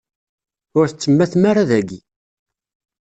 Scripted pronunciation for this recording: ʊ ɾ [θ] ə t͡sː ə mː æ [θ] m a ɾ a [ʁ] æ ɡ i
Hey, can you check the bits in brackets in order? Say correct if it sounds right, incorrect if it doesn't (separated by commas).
correct, correct, incorrect